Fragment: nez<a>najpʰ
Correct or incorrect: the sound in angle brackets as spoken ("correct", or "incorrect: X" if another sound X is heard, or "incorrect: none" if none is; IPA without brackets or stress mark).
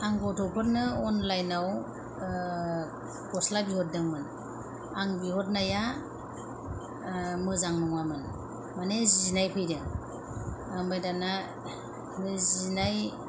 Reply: incorrect: i